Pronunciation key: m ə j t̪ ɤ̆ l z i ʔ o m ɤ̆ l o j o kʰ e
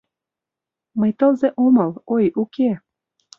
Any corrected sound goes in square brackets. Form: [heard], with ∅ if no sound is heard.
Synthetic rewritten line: m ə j t̪ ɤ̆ l z [e] ʔ o m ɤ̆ l o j [u] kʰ e